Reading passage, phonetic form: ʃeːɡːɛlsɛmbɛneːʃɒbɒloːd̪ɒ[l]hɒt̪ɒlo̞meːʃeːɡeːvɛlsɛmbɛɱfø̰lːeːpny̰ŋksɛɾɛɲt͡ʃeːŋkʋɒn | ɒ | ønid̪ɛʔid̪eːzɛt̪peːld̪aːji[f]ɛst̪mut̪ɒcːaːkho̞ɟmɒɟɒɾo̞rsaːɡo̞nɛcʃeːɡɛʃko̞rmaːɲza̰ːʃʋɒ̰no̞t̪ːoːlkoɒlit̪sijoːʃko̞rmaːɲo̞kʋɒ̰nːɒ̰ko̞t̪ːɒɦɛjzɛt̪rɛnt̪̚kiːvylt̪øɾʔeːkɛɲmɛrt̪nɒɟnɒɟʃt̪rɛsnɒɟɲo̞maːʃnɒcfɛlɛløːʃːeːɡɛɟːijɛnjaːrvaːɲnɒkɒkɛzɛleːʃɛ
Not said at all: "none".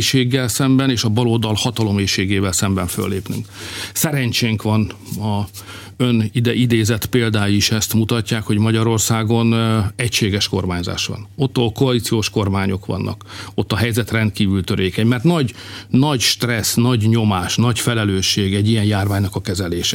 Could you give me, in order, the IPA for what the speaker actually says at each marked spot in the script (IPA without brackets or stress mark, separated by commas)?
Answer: l, ʃ